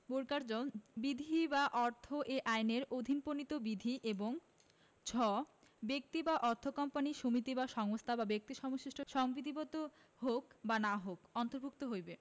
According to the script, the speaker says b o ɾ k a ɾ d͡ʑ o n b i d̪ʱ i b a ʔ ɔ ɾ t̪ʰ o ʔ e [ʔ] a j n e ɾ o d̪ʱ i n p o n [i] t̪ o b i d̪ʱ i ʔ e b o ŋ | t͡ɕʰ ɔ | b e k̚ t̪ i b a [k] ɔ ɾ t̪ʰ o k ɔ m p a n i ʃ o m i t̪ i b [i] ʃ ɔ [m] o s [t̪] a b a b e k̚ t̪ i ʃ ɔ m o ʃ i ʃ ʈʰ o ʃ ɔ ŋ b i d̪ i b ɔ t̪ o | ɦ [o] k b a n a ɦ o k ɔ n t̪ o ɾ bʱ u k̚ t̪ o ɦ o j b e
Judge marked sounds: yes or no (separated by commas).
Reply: yes, yes, no, no, no, no, yes